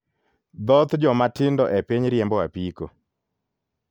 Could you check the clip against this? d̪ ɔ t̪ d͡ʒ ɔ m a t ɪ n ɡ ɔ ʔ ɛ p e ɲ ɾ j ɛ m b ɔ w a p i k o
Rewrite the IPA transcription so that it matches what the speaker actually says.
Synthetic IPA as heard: d̪ ɔ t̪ d͡ʒ ɔ m a t ɪ n d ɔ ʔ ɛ p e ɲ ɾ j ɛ m b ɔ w a p i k o